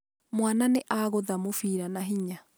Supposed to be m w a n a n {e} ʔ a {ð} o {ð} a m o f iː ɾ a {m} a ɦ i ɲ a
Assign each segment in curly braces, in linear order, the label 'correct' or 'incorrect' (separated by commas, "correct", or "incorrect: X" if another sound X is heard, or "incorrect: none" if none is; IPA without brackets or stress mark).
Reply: correct, incorrect: ɣ, correct, incorrect: n